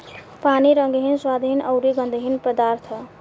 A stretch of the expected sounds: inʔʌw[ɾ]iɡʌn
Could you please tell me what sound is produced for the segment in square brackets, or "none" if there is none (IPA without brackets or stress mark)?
ɾ